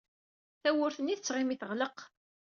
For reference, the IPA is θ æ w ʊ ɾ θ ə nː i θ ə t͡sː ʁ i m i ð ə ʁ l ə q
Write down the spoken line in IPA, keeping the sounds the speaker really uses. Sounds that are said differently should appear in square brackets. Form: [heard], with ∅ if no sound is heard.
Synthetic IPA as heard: θ æ w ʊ ɾ θ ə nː i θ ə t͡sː ʁ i m i [θ] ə ʁ l ə q